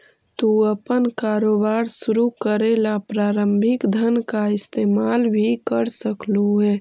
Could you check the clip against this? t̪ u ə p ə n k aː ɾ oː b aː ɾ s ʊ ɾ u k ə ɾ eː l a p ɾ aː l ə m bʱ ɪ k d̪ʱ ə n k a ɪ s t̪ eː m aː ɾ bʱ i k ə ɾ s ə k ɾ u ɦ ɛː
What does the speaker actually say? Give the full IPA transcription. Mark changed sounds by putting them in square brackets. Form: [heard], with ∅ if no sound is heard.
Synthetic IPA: t̪ u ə p ə n k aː ɾ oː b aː ɾ s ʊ ɾ u k ə ɾ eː l a p ɾ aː [ɾ] ə m bʱ ɪ k d̪ʱ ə n k a ɪ s t̪ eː m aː [l] bʱ i k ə ɾ s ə k [l] u ɦ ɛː